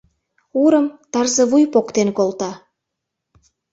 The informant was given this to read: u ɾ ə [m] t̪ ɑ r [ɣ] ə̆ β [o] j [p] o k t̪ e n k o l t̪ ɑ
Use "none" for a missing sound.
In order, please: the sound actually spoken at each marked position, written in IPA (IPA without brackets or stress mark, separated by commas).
m, z, u, p